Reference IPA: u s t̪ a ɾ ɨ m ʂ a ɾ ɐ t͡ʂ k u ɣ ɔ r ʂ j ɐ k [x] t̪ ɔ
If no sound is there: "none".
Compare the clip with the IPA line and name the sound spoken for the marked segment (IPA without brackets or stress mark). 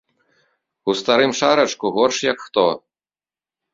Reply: x